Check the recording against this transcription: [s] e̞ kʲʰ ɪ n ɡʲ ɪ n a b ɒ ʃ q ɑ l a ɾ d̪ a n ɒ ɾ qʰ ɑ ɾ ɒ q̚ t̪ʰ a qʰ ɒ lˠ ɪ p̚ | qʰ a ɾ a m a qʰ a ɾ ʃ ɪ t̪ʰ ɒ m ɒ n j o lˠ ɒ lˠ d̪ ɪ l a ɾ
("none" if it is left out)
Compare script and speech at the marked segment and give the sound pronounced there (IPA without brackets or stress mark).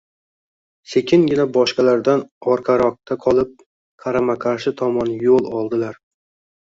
s